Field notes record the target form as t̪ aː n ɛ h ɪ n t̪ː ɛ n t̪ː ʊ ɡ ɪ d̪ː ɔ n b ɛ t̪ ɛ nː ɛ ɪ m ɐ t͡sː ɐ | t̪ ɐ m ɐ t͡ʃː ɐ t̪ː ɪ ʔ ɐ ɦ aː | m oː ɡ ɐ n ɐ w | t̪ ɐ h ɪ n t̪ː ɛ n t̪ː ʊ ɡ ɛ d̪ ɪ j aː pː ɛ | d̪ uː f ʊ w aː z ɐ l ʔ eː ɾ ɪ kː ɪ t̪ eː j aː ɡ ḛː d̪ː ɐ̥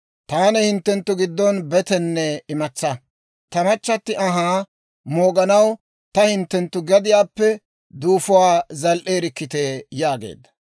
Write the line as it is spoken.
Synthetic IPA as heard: t̪ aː n ɛ h ɪ n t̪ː ɛ n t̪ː ʊ ɡ ɪ d̪ː ɔ n b ɛ t̪ ɛ nː ɛ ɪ m ɐ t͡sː ɐ | t̪ ɐ m ɐ t͡ʃː ɐ t̪ː ɪ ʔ ɐ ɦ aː | m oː ɡ ɐ n ɐ w | t̪ ɐ h ɪ n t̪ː ɛ n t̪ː ʊ ɡ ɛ d̪ ɪ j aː pː ɛ | d̪ uː f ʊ w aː z ɐ l ʔ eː ɾ ɪ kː ɪ t̪ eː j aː ɡ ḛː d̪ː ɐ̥